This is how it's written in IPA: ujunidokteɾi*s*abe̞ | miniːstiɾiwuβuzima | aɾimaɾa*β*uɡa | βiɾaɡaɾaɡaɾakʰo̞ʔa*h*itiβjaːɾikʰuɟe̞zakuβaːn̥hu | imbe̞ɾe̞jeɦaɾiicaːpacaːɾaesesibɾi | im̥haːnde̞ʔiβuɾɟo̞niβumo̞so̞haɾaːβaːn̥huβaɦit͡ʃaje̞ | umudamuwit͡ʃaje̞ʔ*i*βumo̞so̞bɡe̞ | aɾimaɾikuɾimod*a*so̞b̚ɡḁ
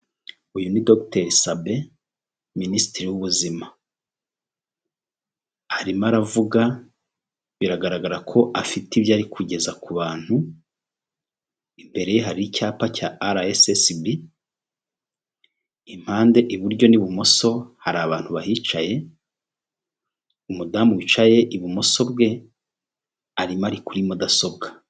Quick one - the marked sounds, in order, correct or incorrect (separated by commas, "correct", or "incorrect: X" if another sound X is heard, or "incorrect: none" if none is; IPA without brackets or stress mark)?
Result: correct, incorrect: v, incorrect: f, correct, correct